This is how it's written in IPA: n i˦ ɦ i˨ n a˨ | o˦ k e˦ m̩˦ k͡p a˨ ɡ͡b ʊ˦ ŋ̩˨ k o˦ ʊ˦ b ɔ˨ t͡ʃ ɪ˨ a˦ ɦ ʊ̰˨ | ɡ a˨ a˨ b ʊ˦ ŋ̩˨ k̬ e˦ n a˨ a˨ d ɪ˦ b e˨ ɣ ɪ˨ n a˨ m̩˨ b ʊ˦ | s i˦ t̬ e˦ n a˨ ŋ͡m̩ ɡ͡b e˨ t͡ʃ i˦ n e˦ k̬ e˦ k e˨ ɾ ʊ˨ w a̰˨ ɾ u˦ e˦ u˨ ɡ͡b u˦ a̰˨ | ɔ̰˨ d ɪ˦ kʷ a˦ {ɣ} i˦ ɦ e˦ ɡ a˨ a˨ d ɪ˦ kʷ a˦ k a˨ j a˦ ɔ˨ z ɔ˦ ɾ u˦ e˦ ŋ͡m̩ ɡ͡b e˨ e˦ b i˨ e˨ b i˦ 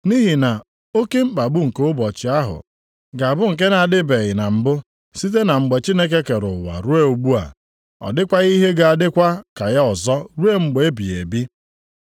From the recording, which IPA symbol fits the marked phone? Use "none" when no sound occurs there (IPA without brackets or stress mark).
ɣ